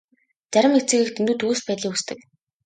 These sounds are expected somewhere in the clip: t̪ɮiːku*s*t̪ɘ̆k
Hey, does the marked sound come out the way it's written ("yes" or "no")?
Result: yes